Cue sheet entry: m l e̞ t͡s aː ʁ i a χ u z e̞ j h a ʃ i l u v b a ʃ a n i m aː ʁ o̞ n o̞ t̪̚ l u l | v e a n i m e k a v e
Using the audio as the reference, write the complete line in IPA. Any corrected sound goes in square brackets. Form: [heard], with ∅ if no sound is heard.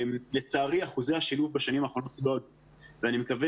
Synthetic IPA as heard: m l e̞ t͡s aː ʁ i a χ u z e̞ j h a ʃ i l u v b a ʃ a n i m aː [χ] o̞ n o̞ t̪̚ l [o] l | v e a n i m e k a v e